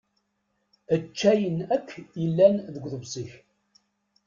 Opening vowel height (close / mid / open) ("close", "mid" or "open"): mid